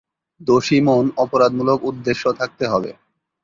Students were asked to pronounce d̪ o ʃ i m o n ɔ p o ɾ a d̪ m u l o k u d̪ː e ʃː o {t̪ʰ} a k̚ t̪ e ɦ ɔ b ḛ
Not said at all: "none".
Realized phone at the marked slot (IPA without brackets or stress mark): t̪ʰ